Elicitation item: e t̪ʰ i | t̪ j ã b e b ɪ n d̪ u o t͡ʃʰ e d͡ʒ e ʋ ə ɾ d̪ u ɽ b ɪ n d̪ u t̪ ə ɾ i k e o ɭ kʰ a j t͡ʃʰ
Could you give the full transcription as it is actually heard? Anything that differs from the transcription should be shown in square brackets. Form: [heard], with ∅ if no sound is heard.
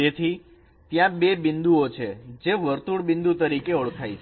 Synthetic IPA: e t̪ʰ i | t̪ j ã b e b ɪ n d̪ u o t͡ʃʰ e d͡ʒ e ʋ ə ɾ [t̪] u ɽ b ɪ n d̪ u t̪ ə ɾ i k e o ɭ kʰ a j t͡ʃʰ